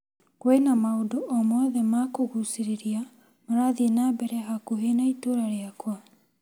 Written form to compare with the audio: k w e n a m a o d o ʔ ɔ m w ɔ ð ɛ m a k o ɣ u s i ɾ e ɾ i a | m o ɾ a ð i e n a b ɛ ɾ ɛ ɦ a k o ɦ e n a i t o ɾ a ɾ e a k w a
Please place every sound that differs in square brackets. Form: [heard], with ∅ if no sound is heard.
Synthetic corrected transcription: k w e n a m a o d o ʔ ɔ m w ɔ ð ɛ m a k o ɣ u s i ɾ e ɾ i a | m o ɾ a ð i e n a b ɛ ɾ ɛ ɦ a k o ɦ e n a i t o ɾ a ɾ e a k w a